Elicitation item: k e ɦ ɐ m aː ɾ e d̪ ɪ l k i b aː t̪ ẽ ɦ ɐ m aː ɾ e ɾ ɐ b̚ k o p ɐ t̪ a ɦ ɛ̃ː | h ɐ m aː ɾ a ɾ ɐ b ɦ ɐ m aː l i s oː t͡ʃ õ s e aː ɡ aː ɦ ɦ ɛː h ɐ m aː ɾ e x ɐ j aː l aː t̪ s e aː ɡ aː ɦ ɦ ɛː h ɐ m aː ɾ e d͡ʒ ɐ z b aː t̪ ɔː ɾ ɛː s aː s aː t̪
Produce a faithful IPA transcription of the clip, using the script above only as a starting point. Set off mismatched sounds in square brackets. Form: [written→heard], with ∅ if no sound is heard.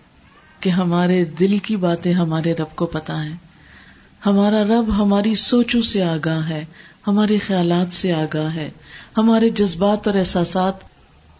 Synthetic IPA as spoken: k e ɦ ɐ m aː ɾ e d̪ ɪ l k i b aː t̪ ẽ ɦ ɐ m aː ɾ e ɾ ɐ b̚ k o p ɐ t̪ a ɦ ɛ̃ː | h ɐ m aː ɾ a ɾ ɐ b ɦ ɐ m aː [l→ɾ] i s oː t͡ʃ õ s e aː ɡ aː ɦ ɦ ɛː h ɐ m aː ɾ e x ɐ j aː l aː t̪ s e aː ɡ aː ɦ ɦ ɛː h ɐ m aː ɾ e d͡ʒ ɐ z b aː t̪ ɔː ɾ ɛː s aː s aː t̪